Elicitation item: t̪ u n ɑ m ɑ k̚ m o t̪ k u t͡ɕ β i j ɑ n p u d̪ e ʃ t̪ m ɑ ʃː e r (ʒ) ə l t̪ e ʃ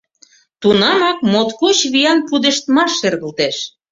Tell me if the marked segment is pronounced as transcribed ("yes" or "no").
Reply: no